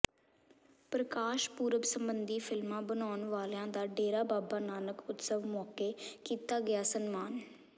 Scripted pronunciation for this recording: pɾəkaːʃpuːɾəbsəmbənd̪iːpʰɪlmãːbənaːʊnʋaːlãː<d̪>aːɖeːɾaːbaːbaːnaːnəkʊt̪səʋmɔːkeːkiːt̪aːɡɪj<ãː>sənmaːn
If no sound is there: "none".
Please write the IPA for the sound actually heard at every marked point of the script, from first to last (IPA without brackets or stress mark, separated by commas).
d̪, aː